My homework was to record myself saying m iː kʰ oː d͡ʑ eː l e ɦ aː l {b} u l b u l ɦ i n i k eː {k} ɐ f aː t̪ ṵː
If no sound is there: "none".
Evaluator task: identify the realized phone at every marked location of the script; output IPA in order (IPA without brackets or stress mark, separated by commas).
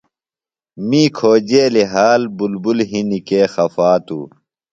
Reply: b, x